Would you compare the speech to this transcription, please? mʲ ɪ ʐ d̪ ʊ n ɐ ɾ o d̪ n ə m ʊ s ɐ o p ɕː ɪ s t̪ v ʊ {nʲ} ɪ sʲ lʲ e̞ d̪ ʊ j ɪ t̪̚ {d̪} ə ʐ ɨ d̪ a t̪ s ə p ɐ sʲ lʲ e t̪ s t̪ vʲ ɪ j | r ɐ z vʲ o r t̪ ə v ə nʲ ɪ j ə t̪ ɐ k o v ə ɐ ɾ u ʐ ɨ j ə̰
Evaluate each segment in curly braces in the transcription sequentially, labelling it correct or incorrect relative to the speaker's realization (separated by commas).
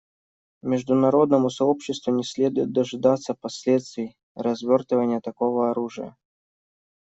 correct, correct